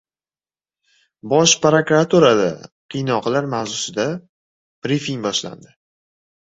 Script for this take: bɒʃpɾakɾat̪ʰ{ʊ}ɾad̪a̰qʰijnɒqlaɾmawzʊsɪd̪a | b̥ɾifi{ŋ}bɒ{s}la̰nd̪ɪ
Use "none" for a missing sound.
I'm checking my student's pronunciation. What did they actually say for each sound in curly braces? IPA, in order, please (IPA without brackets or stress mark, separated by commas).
u, ŋ, ʃ